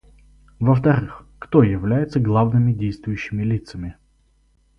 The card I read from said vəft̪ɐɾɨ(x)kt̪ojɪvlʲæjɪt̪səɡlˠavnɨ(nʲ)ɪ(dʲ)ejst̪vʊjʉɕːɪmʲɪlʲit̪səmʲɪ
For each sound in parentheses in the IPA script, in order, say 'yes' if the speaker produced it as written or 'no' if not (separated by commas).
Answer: yes, no, yes